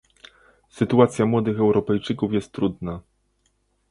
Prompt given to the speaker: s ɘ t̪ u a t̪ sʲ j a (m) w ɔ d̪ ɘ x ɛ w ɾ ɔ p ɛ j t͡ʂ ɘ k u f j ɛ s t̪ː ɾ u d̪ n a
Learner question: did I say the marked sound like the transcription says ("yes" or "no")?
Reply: yes